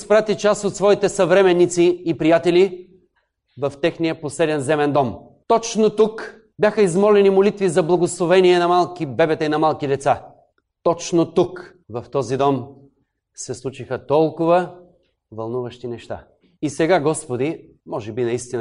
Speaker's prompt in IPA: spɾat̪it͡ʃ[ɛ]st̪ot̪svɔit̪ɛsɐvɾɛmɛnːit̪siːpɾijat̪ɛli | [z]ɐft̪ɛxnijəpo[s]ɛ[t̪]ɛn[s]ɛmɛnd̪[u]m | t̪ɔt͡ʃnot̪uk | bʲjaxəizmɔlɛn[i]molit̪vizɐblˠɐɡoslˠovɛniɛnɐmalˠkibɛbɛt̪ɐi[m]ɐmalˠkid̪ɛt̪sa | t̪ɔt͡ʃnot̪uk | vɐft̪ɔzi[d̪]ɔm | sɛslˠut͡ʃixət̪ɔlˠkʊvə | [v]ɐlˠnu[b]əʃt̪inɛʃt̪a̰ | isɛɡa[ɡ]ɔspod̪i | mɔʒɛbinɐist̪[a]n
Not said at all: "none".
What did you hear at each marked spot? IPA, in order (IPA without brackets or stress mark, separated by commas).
a, v, s, d̪, z, ɔ, i, n, d̪, v, v, ɡ, i